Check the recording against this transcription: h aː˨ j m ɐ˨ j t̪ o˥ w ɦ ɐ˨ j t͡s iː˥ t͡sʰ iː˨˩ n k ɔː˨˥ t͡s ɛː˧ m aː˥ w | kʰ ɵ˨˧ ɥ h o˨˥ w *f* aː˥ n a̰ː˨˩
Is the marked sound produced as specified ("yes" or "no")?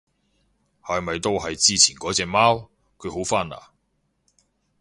yes